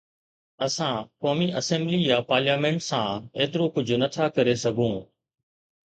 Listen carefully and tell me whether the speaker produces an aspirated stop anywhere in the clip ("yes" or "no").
yes